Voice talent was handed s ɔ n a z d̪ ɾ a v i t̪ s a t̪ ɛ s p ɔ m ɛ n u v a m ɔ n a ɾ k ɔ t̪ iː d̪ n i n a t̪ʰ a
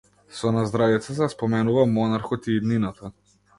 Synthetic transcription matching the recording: s ɔ n a z d̪ ɾ a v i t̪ s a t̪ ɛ s p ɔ m ɛ n u v a m ɔ n a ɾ x ɔ t̪ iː d̪ n i n a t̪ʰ a